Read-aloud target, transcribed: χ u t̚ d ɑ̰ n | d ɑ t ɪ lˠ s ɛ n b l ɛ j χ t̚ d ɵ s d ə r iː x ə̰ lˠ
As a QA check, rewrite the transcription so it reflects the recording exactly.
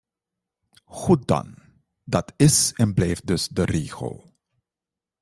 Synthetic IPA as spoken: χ u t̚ d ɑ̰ n | d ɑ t ɪ s ɛ n b l ɛ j f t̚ d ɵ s d ə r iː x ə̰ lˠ